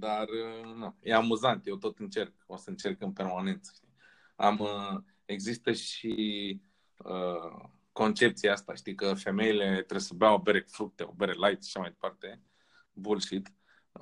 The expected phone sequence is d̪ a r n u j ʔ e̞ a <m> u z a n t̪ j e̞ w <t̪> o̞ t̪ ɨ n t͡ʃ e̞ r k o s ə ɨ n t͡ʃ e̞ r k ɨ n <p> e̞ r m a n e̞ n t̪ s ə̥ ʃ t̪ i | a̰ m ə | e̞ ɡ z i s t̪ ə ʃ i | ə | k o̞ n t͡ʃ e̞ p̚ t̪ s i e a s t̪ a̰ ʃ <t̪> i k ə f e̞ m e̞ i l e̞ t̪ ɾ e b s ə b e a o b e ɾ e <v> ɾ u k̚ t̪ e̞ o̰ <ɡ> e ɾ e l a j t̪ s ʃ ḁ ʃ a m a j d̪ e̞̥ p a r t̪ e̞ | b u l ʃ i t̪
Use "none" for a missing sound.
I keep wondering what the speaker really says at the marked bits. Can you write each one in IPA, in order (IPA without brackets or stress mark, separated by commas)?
m, t̪, p, t̪, f, b